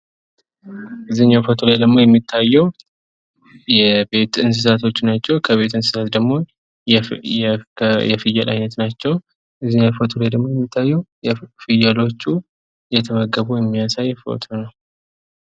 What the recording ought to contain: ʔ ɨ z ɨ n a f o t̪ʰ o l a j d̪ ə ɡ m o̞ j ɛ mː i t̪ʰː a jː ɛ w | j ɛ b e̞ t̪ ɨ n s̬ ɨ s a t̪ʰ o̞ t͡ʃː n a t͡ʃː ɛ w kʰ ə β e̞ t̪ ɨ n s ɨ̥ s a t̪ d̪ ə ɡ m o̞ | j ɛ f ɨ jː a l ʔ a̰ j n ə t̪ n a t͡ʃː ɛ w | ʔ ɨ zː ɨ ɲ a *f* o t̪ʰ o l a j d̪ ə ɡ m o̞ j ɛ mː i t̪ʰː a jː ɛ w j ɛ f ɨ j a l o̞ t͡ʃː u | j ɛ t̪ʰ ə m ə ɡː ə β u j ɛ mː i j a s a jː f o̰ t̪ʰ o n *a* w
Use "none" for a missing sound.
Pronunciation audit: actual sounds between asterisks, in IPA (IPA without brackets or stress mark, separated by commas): f, ə